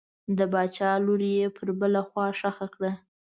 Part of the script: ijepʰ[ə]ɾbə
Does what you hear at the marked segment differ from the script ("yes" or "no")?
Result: no